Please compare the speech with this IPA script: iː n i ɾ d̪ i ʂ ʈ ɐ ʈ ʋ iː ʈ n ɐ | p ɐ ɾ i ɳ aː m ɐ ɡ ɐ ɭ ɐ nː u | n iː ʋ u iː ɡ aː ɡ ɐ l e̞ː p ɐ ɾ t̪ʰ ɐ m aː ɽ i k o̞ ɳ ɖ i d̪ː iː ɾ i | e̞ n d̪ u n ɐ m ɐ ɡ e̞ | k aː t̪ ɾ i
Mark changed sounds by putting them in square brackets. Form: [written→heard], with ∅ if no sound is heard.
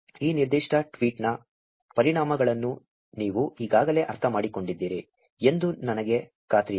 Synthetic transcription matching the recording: iː n i ɾ d̪ i ʂ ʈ ɐ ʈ ʋ iː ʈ n ɐ | p ɐ ɾ i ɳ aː m ɐ ɡ ɐ ɭ ɐ nː u | n iː ʋ u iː ɡ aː ɡ ɐ l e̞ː [p→ʔ] ɐ ɾ t̪ʰ ɐ m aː ɽ i k o̞ ɳ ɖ i d̪ː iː ɾ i | e̞ n d̪ u n ɐ [m→n] ɐ ɡ e̞ | k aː t̪ ɾ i

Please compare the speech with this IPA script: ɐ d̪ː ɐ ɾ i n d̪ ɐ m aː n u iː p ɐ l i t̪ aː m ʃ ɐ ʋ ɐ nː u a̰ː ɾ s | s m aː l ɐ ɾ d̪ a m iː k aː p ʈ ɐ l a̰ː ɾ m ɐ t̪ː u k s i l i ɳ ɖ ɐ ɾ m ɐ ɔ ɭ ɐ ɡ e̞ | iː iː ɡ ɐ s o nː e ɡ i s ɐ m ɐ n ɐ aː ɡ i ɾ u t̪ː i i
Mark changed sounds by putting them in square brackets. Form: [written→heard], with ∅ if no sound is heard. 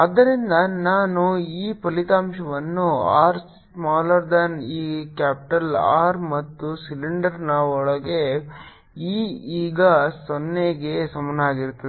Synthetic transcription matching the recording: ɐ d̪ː ɐ ɾ i n d̪ ɐ [m→n] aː n u iː p ɐ l i t̪ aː m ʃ ɐ ʋ ɐ nː u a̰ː ɾ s | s m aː l ɐ ɾ d̪ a [m→n] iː k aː p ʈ ɐ l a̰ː ɾ m ɐ t̪ː u [k→∅] s i l i ɳ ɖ ɐ ɾ [m→n] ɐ ɔ ɭ ɐ ɡ e̞ | iː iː ɡ ɐ s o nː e ɡ [i→e] s ɐ m ɐ n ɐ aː ɡ i ɾ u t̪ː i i

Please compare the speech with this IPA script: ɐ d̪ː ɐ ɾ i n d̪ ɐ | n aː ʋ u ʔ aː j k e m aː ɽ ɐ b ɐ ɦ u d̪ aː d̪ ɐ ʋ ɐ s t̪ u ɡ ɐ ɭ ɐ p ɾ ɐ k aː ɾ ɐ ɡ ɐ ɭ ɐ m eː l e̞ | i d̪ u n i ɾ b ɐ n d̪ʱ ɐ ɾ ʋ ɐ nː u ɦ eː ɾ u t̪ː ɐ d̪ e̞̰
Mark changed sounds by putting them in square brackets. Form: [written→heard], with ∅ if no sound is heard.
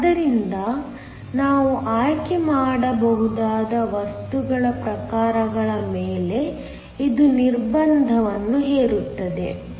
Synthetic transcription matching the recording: ɐ [d̪ː→d̪] ɐ ɾ i n d̪ ɐ | n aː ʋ u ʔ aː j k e m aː ɽ ɐ b ɐ ɦ u d̪ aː d̪ ɐ ʋ ɐ s t̪ u ɡ ɐ ɭ ɐ p ɾ ɐ k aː ɾ ɐ ɡ ɐ ɭ ɐ m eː l e̞ | i d̪ u n i ɾ b ɐ n d̪ʱ ɐ [ɾ→∅] ʋ ɐ nː u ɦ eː ɾ u t̪ː ɐ d̪ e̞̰

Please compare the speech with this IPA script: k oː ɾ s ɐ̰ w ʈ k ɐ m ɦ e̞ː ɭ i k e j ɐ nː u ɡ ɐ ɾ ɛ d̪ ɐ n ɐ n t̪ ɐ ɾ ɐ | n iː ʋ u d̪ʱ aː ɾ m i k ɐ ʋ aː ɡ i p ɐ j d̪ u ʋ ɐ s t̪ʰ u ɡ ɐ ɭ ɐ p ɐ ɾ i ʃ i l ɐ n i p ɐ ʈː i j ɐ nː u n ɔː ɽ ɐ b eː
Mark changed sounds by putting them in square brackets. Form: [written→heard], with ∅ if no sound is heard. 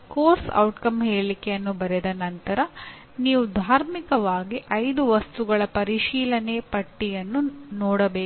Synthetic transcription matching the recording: k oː ɾ s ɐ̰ w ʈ k ɐ m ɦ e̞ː ɭ i k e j ɐ nː u [ɡ→b] ɐ ɾ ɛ d̪ ɐ n ɐ n t̪ ɐ ɾ ɐ | n iː ʋ u d̪ʱ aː ɾ m i k ɐ ʋ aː ɡ i [p→ʔ] ɐ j d̪ u ʋ ɐ s [t̪ʰ→t̪] u ɡ ɐ ɭ ɐ p ɐ ɾ i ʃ [i→iː] l ɐ n [i→e] p ɐ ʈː i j ɐ nː u n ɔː ɽ ɐ b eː

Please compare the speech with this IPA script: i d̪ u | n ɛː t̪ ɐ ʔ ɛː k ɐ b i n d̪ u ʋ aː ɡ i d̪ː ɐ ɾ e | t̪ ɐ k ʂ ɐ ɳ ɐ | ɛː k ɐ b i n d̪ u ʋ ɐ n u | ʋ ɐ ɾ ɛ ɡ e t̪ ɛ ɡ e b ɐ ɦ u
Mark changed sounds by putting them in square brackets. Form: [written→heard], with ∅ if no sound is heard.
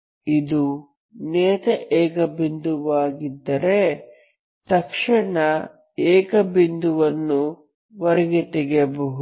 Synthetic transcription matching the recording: i d̪ u | n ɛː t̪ ɐ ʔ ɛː k ɐ b i n d̪ u ʋ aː ɡ i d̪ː ɐ ɾ e | t̪ ɐ k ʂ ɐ ɳ ɐ | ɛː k ɐ b i n d̪ u ʋ ɐ [n→nː] u | ʋ ɐ ɾ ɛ ɡ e t̪ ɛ ɡ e b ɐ ɦ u

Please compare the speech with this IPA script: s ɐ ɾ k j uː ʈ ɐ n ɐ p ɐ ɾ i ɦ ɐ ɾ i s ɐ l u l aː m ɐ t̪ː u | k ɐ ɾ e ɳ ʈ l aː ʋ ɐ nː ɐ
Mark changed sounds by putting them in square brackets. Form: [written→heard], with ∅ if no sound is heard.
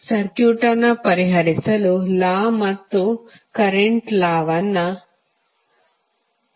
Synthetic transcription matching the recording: s ɐ ɾ k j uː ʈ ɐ n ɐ p ɐ ɾ i ɦ ɐ ɾ i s ɐ l u l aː m ɐ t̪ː u | k ɐ ɾ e ɳ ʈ l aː ʋ ɐ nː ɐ

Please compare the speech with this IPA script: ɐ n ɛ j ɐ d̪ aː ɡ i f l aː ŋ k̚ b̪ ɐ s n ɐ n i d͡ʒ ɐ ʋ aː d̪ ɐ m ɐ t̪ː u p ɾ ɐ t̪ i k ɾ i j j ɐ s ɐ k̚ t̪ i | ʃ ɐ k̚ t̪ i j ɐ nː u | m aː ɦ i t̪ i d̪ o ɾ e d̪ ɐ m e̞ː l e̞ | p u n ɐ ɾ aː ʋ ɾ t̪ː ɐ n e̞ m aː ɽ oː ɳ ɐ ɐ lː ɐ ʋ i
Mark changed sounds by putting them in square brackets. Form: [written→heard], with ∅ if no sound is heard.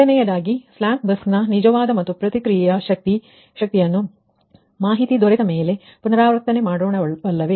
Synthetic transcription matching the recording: ɐ n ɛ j ɐ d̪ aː ɡ i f l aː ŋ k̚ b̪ ɐ s n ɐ n i d͡ʒ ɐ ʋ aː d̪ ɐ m ɐ t̪ː u p ɾ ɐ t̪ i k ɾ i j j ɐ [s→ʃ] ɐ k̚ t̪ i | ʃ ɐ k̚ t̪ i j ɐ nː u | m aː ɦ i t̪ i d̪ o ɾ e d̪ ɐ m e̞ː l e̞ | p u n ɐ ɾ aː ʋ ɾ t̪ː ɐ n e̞ m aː ɽ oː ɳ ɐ ɐ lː ɐ ʋ [i→e]

